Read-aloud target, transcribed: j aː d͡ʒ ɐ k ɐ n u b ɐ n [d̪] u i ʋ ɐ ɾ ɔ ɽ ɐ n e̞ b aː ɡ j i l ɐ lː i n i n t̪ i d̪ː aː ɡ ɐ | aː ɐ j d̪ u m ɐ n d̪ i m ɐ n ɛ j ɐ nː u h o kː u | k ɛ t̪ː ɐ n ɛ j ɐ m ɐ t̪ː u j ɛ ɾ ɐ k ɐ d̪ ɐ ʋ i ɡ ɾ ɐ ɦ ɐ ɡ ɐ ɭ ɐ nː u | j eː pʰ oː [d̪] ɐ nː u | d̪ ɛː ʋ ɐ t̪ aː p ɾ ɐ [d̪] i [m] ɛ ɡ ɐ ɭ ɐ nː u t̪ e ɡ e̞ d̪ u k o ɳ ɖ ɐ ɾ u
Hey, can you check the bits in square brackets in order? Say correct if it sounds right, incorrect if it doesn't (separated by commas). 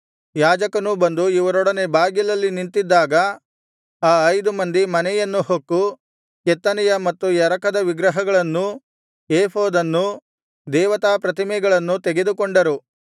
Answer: correct, correct, incorrect, correct